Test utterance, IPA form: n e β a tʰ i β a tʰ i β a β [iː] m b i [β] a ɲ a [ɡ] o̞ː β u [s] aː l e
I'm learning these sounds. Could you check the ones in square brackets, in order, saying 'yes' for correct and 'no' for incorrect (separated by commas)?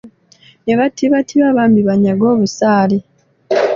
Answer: no, yes, yes, yes